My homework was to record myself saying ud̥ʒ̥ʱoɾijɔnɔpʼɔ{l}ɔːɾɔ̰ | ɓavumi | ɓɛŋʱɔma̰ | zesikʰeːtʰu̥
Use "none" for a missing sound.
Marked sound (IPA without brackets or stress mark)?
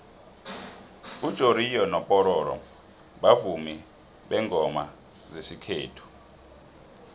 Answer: ɾ